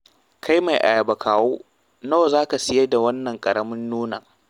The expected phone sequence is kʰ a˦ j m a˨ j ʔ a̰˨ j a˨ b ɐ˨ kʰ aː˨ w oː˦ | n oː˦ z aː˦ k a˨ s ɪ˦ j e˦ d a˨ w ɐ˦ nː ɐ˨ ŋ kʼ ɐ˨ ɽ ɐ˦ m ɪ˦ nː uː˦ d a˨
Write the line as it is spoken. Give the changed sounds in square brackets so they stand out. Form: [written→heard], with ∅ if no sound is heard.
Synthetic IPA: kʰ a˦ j m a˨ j ʔ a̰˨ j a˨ b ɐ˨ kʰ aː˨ w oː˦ | n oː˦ z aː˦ k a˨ s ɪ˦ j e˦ d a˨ w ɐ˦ nː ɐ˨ ŋ kʼ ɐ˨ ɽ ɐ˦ m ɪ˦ nː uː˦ [d→n] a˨